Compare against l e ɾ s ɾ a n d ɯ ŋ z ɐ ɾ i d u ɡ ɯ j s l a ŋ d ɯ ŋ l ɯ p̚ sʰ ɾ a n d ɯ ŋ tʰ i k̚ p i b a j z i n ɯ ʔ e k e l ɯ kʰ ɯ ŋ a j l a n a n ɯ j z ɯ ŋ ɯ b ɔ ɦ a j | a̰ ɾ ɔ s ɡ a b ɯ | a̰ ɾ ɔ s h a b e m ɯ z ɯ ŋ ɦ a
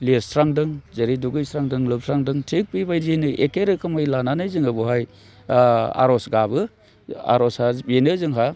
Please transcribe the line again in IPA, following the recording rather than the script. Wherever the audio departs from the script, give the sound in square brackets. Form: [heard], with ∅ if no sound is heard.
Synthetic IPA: l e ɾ s ɾ a [ŋ] d ɯ ŋ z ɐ ɾ i d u ɡ ɯ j s [ɾ] a ŋ d ɯ ŋ l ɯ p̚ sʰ ɾ a [ŋ] d ɯ ŋ tʰ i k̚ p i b a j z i n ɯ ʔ e k e [ɾ] ɯ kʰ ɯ [m] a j l a n a n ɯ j z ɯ ŋ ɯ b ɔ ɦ a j | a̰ ɾ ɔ s ɡ a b ɯ | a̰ ɾ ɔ s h a b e [n] ɯ z ɯ ŋ ɦ a